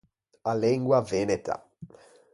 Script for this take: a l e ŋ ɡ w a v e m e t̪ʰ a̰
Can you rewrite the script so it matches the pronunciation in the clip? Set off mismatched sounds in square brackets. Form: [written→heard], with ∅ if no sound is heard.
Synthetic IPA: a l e ŋ ɡ w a v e [m→n] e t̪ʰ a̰